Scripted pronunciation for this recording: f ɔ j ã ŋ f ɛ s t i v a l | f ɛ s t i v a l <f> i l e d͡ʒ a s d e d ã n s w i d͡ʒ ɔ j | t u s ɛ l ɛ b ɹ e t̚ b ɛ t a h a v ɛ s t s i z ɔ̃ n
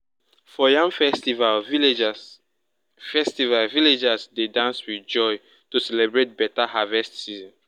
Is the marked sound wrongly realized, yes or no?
yes